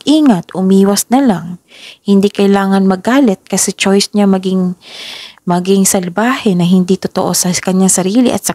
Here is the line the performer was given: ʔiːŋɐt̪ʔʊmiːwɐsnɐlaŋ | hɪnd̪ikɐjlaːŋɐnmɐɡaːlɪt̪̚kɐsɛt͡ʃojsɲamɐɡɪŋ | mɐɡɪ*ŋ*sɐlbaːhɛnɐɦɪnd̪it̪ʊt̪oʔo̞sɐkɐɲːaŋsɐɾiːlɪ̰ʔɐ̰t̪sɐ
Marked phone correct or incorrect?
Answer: correct